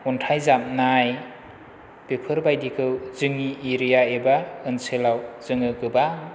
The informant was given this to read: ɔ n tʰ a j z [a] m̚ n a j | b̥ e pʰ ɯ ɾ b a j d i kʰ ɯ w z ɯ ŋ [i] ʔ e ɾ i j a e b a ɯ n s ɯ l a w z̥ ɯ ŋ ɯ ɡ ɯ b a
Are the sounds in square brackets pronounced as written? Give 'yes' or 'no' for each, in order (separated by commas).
yes, yes